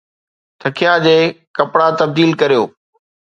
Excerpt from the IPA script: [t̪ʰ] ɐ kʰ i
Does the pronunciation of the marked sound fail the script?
no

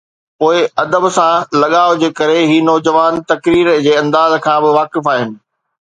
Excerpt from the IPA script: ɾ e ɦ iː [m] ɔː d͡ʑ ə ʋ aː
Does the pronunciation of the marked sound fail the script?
yes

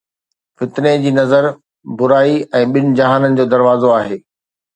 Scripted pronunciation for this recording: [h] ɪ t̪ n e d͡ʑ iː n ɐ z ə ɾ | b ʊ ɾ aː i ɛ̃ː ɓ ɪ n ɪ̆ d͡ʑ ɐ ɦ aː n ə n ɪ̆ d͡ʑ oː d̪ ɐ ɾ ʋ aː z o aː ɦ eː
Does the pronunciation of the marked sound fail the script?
yes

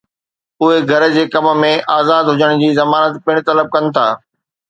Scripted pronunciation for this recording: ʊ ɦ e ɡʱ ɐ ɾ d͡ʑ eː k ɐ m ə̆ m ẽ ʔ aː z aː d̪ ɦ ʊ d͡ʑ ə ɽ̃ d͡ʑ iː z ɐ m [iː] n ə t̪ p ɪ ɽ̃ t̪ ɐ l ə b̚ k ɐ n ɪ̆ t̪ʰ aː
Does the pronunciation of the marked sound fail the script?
yes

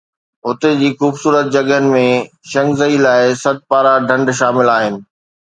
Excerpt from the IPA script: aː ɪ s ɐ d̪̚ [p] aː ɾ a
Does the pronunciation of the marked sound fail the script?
no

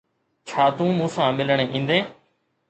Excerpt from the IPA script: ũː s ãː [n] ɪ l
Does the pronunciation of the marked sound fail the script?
yes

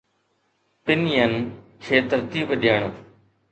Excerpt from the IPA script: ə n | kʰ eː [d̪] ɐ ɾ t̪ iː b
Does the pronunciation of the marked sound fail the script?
yes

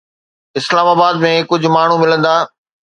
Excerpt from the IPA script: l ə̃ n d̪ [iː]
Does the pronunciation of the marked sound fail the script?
yes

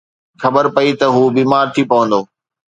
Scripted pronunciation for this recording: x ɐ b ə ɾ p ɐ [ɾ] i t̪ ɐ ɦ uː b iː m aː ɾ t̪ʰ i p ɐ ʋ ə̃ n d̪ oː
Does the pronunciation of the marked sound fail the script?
yes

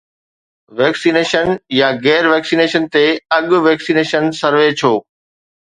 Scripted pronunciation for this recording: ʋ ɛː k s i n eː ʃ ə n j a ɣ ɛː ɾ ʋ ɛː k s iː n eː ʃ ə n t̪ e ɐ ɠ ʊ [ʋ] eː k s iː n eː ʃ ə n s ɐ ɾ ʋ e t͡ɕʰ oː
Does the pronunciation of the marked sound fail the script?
no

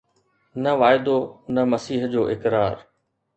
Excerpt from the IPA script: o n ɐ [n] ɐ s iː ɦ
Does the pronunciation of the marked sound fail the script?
yes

